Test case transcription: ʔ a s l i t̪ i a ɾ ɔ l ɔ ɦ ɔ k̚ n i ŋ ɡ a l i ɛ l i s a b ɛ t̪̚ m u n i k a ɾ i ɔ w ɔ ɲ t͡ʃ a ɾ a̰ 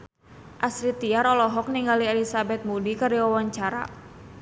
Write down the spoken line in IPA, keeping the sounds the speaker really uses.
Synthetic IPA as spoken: ʔ a s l i t̪ i a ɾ ɔ l ɔ ɦ ɔ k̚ n i ŋ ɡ a l i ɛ l i s a b ɛ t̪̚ m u d i k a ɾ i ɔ w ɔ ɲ t͡ʃ a ɾ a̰